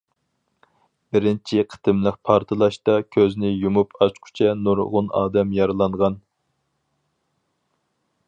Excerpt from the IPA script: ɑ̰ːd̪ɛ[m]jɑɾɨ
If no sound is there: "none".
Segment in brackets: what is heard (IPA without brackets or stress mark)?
m